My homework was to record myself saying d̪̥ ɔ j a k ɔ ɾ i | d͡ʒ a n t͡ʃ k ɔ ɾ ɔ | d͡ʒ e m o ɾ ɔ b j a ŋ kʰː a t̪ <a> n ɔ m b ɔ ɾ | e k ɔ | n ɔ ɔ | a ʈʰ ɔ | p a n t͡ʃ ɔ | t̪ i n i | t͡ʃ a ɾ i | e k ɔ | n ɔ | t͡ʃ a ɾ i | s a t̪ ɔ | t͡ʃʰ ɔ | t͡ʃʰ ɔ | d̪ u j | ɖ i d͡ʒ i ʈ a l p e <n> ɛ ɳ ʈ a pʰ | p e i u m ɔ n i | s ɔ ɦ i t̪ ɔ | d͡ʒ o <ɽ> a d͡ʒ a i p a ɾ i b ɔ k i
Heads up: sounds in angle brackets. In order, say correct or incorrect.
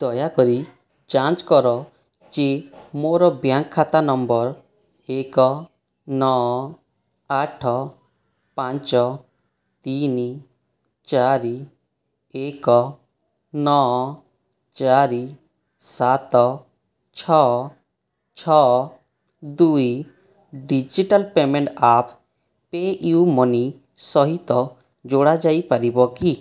correct, incorrect: m, correct

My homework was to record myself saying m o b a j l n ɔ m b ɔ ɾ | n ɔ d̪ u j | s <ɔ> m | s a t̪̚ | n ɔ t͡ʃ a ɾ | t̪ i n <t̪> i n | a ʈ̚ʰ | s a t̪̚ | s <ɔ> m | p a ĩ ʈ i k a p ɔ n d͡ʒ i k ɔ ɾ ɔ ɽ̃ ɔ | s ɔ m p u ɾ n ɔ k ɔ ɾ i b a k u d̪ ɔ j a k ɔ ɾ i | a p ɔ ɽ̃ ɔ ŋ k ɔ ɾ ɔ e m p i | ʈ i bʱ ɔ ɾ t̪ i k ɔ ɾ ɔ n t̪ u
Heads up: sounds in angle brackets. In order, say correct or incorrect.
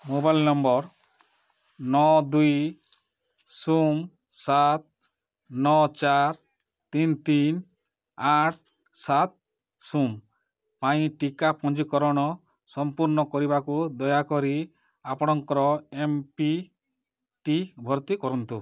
incorrect: u, correct, incorrect: u

